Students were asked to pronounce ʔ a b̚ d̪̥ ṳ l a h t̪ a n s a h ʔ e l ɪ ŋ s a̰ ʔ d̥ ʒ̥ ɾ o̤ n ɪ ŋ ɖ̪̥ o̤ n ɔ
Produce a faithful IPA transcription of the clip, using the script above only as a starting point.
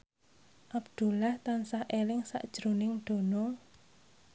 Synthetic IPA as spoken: ʔ a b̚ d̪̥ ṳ l a h t̪ a n s a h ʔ e l ɪ ŋ s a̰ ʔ d̥ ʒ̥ ɾ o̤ n ɪ ŋ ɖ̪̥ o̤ n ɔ